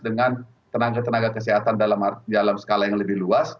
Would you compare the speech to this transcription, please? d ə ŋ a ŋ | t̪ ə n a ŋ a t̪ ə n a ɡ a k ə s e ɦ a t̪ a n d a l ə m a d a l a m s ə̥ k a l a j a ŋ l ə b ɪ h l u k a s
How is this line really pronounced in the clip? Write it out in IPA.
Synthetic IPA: d ə ŋ a n | t̪ ə n a ɡ a t̪ ə n a ɡ a k ə s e ɦ a t̪ a n d a l a m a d a l a m s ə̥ k a l a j a ŋ l ə b ɪ h l u a s